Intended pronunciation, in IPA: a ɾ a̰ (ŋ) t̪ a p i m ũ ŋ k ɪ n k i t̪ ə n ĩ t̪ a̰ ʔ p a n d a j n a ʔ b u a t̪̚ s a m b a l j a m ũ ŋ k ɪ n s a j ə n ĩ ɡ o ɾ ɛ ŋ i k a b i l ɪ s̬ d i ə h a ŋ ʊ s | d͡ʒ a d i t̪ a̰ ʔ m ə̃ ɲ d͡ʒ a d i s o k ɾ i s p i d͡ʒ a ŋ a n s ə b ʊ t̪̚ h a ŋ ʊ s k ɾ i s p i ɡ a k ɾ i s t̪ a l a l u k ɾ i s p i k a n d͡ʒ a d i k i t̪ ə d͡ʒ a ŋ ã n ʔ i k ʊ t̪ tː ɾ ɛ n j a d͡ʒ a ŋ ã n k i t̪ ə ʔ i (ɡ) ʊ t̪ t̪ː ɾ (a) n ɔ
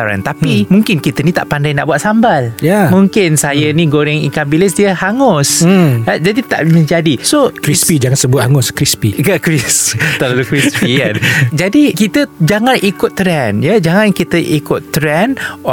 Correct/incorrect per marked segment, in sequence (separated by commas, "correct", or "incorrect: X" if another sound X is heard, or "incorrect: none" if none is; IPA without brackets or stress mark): incorrect: n, incorrect: k, incorrect: ɛ